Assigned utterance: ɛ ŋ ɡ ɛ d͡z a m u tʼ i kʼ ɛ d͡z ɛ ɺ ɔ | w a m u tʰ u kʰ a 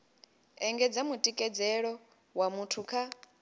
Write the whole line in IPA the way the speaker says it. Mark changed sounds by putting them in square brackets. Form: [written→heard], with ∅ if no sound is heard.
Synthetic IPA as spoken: ɛ ŋ ɡ ɛ d͡z a m u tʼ i kʼ ɛ d͡z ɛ ɺ ɔ | w a m u tʰ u kʰ a